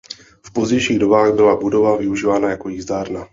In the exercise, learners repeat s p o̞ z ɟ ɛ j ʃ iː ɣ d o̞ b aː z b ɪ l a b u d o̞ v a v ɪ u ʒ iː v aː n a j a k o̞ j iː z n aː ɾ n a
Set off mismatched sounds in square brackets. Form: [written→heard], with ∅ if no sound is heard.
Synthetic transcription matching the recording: [s→f] p o̞ z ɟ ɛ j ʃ iː ɣ d o̞ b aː [z→ɣ] b ɪ l a b u d o̞ v a v ɪ u ʒ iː v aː n a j a k o̞ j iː z [n→d] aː ɾ n a